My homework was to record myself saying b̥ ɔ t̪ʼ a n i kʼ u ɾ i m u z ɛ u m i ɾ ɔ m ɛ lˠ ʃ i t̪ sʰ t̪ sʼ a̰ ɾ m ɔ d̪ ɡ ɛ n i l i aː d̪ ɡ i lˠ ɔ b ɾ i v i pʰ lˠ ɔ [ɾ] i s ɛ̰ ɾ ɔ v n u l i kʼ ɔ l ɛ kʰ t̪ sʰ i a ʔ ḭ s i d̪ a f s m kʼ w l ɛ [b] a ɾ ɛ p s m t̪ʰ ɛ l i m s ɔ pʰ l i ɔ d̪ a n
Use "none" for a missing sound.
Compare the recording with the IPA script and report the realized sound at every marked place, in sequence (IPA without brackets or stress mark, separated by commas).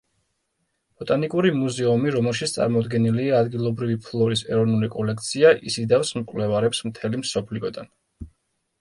ɾ, v